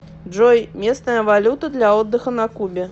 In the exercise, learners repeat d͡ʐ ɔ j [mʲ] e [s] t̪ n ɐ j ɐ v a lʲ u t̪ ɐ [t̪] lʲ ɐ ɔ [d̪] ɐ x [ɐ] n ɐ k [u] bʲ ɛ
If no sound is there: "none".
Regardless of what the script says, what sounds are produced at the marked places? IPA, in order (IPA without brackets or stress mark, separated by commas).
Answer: mʲ, s, d̪, d̪ː, ɐ, u